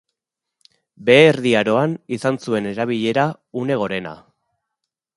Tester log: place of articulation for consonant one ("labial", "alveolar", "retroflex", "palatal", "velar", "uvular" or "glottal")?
labial